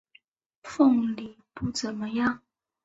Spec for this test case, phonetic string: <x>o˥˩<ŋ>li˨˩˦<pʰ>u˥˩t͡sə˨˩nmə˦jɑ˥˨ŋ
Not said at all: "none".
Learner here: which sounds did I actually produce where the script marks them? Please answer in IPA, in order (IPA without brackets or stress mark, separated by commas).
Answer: f, ŋ, p